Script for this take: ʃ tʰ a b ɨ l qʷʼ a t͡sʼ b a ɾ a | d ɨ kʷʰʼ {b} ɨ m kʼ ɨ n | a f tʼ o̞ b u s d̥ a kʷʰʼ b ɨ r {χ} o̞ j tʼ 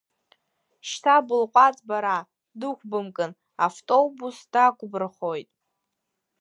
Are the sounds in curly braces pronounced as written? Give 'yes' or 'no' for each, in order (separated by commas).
yes, yes